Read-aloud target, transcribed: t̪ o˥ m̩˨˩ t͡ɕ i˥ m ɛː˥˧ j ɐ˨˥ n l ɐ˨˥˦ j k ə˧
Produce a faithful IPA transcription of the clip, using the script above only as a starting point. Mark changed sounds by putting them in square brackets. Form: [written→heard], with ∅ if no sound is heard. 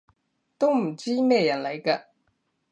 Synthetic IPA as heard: t̪ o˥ m̩˨˩ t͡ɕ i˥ m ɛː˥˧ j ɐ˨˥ n l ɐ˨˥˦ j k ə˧